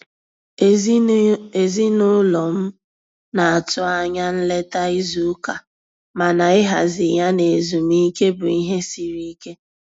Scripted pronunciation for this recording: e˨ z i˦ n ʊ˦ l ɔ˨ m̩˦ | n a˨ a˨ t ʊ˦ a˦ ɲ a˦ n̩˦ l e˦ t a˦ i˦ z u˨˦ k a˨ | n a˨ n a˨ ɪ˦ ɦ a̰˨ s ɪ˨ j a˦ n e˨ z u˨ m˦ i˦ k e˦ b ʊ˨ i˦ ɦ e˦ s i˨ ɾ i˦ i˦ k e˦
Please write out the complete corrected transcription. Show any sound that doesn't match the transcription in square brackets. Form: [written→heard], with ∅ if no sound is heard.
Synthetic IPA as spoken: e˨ z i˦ n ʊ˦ l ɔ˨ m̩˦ | n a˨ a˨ t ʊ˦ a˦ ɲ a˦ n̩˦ l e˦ t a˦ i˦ z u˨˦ k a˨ | [n→m] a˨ n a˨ ɪ˦ ɦ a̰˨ [s→z] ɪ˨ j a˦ n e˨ z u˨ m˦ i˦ k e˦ b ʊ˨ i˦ ɦ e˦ s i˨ ɾ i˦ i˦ k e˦